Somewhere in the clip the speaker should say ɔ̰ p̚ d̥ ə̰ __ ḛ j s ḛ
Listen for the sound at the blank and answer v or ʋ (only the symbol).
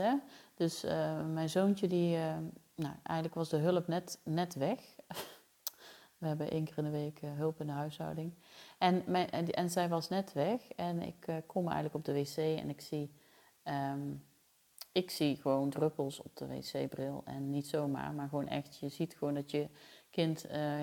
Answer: ʋ